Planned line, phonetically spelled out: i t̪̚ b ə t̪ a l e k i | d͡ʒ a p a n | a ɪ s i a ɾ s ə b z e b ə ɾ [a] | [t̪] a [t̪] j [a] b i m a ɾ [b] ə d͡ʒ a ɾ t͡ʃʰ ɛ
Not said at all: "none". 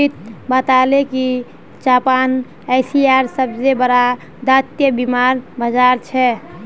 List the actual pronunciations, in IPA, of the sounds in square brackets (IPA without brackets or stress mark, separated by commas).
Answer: a, d̪, t̪, ə, b